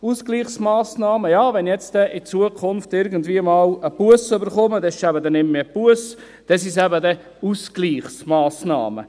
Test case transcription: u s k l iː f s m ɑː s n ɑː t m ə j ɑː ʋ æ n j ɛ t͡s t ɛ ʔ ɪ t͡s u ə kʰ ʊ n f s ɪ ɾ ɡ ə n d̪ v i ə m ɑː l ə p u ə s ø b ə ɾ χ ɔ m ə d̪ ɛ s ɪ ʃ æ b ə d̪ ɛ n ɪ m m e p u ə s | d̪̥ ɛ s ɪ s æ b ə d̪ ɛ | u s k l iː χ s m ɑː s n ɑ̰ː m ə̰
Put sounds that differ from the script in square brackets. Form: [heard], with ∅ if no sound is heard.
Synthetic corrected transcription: u s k l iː [χ] s m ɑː s n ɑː [∅] m ə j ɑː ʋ [ɛ] n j ɛ t͡s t ɛ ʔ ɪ t͡s u ə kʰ ʊ n f [t] ɪ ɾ ɡ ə n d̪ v i ə m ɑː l ə p u ə s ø b ə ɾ χ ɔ m ə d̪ ɛ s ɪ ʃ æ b ə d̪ ɛ n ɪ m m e p u ə s | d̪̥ ɛ s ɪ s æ b ə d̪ ɛ | u s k l iː χ s m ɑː s n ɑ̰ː m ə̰

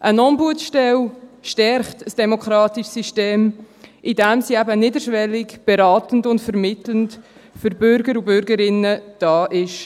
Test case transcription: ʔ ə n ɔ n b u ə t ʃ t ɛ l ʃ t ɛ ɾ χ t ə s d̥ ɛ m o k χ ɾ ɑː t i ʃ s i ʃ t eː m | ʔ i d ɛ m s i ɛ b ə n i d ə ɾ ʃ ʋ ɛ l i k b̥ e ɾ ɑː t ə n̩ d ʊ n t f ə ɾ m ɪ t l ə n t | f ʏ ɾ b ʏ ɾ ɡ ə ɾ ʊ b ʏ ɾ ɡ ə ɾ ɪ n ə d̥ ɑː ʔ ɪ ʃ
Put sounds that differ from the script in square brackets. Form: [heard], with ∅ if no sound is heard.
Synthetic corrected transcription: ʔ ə n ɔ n b u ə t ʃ t ɛ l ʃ t ɛ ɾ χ t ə s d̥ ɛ m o k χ ɾ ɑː t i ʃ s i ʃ t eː m | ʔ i d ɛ m s i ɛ b ə n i d ə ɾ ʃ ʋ ɛ l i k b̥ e ɾ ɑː t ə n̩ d ʊ n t f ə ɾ m ɪ t l ə n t | f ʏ ɾ b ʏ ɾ ɡ ə ɾ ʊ b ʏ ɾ ɡ ə ɾ ɪ n ə d̥ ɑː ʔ ɪ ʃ

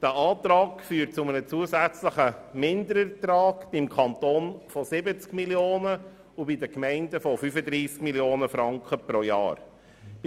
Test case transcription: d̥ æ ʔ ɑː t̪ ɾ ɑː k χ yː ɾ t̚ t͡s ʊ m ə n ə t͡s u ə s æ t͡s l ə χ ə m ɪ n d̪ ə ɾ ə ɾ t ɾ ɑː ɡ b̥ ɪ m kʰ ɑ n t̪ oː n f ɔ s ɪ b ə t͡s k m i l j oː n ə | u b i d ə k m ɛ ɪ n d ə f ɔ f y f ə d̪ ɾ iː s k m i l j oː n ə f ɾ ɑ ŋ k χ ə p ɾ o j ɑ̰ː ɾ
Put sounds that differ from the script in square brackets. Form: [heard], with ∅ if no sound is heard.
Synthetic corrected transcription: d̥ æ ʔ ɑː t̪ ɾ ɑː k [f] yː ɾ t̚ t͡s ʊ m ə n ə t͡s u ə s æ t͡s l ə χ ə m ɪ n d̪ ə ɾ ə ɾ t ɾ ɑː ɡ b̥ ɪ m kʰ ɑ n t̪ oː n f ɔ s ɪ b ə t͡s k m i l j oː n ə | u b i d ə k m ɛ ɪ n d ə f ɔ f y f ə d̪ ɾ iː s k m i l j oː n ə f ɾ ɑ ŋ k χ ə p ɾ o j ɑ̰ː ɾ

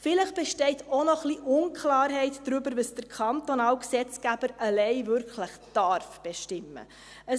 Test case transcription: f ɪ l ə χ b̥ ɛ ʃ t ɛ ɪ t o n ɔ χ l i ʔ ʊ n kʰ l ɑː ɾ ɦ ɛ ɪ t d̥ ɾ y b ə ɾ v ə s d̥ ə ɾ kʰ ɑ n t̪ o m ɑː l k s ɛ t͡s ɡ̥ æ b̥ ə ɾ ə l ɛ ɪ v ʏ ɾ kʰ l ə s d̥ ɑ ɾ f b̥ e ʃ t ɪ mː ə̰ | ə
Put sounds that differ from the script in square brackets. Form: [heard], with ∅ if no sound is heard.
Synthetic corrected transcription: f ɪ l ə χ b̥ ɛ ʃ t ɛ ɪ t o n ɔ χ l i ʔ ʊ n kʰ l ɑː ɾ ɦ ɛ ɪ t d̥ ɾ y b ə ɾ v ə s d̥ ə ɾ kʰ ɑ n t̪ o [n] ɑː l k s ɛ t͡s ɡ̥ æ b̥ ə ɾ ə l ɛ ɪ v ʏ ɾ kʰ l ə [χ] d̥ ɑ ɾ f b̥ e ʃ t ɪ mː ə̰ | ə

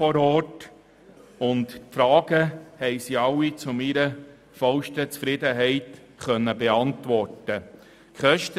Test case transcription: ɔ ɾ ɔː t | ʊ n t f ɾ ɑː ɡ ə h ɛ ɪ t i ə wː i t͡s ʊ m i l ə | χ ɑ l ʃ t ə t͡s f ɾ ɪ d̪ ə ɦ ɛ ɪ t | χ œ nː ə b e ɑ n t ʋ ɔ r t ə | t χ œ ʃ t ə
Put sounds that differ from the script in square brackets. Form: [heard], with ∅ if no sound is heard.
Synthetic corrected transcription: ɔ ɾ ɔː t | ʊ n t f ɾ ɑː ɡ ə h ɛ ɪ [s] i [ɑ] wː i t͡s ʊ m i [ɾ] ə | [f] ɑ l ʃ t ə t͡s f ɾ ɪ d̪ ə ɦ ɛ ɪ t | χ œ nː ə b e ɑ n t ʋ ɔ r t ə | [k] χ œ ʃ t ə

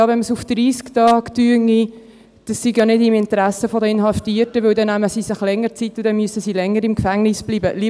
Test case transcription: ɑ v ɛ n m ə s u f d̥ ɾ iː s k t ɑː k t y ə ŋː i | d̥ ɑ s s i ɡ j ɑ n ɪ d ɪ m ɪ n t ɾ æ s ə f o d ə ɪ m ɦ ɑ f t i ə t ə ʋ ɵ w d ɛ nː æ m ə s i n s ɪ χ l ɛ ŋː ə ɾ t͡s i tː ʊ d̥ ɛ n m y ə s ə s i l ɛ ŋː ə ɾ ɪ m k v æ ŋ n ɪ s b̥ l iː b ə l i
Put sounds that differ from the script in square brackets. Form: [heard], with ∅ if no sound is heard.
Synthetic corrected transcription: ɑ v ɛ n m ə s u f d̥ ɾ iː s k t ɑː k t y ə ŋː i | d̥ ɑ s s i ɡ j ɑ n ɪ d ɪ m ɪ n t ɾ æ s ə f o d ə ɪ [n] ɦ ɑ f t i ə t ə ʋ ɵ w d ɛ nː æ m ə s i [∅] s ɪ χ l ɛ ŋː ə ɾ t͡s i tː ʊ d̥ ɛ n m y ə s ə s i l ɛ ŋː ə ɾ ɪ m k [f] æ ŋ n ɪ s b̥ l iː b ə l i

